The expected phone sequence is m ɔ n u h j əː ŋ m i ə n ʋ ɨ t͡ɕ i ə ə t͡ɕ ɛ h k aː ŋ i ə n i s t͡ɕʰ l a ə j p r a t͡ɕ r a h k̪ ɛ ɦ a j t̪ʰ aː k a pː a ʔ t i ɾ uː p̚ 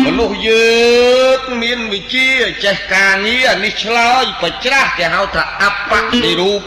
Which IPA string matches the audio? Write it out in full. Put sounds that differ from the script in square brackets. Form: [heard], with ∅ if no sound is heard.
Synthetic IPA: m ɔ n u h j əː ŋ m i ə n ʋ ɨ t͡ɕ i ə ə t͡ɕ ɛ h k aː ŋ i ə n i [h] t͡ɕʰ l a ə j p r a t͡ɕ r a h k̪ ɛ ɦ a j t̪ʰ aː [ʔ] a pː a ʔ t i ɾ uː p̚